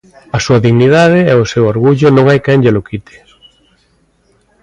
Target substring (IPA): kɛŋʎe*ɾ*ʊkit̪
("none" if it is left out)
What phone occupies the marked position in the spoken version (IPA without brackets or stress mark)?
l